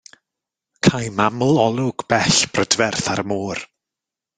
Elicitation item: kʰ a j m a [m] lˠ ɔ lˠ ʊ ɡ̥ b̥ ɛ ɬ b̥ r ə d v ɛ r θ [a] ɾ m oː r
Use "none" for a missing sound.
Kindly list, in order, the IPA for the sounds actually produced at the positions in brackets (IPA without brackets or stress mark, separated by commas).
m, a